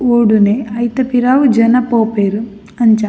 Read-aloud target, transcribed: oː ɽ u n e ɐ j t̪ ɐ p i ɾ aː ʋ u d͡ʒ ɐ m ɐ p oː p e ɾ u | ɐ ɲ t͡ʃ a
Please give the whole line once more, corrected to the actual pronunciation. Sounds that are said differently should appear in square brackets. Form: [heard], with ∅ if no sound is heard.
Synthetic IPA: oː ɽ u n e ɐ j t̪ ɐ p i ɾ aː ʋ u d͡ʒ ɐ [n] ɐ p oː p e ɾ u | ɐ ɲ t͡ʃ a